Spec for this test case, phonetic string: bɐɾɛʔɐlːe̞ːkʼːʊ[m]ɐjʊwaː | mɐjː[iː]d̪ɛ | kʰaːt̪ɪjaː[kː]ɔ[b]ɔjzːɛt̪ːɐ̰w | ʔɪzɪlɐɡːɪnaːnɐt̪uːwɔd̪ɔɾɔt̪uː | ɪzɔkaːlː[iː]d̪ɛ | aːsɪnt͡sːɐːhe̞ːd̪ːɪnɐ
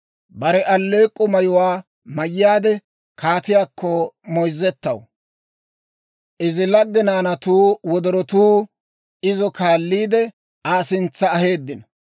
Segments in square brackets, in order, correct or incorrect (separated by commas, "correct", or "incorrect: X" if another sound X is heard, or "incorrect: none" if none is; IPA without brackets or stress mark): correct, incorrect: aː, correct, incorrect: m, correct